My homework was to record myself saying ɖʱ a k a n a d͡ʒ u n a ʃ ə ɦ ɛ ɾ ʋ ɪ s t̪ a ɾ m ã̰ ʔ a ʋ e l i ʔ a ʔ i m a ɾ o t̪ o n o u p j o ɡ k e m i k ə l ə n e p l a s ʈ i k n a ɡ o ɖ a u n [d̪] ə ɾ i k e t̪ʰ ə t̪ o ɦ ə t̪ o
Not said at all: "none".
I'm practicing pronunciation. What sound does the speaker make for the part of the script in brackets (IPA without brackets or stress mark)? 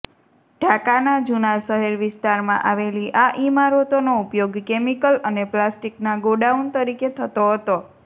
t̪